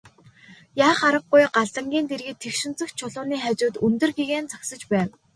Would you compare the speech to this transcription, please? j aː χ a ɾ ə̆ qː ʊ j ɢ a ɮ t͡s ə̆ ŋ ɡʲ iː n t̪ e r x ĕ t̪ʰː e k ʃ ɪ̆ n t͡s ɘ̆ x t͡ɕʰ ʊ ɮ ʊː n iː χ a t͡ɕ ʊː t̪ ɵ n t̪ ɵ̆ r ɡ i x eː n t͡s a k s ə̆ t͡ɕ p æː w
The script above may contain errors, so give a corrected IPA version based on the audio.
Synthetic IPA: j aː χ a ɾ ə̆ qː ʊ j ɢ a ɮ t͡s ə̆ ŋ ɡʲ iː n t̪ e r ɣ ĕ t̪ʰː e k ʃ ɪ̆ n t͡s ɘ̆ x t͡ɕʰ ʊ ɮ ʊː n iː χ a t͡ɕ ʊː t̪ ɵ n t̪ ɵ̆ r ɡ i ɣ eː n t͡s a k s ə̆ t͡ɕ p æː w